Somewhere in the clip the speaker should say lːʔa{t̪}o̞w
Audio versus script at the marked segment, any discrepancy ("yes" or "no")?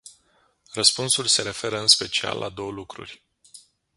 yes